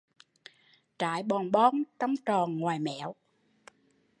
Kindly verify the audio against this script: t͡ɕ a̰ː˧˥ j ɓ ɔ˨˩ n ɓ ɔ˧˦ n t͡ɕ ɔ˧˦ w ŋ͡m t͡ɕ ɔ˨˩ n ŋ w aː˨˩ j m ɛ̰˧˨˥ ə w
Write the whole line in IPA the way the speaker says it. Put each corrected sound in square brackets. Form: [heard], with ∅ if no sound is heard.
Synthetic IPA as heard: t͡ɕ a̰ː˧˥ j ɓ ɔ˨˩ n ɓ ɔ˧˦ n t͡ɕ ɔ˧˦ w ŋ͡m t͡ɕ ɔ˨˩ n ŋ w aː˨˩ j m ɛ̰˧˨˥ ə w